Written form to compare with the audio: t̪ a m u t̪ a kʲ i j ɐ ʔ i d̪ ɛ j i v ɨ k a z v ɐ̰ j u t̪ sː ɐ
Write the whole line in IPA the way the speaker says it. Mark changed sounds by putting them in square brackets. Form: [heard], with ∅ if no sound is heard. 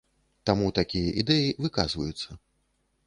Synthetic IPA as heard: t̪ a m u t̪ a kʲ i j ɐ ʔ i d̪ ɛ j i v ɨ k a z v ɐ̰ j u t̪ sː ɐ